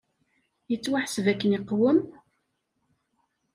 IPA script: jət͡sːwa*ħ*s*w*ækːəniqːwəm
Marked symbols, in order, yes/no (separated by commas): yes, no